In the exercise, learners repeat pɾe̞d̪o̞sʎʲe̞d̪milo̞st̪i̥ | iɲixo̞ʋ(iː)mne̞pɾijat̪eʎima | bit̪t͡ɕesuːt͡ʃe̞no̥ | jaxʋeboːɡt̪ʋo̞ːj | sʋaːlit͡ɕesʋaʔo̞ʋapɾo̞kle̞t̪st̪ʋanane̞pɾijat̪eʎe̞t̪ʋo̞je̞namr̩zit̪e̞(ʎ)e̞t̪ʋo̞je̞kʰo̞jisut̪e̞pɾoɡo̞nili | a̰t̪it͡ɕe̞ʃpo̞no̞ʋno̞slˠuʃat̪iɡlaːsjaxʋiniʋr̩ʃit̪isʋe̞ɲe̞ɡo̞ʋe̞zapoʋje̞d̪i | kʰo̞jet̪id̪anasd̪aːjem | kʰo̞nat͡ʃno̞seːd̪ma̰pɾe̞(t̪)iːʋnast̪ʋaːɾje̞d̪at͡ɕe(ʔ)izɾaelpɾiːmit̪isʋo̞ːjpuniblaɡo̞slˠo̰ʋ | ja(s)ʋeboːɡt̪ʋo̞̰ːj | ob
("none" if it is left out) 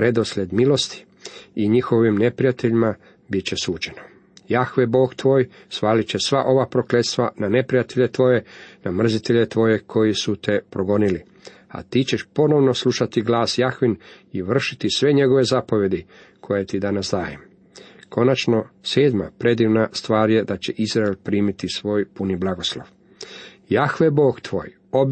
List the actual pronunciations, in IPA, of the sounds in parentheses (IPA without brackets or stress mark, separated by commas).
i, ʎ, d̪, ʔ, x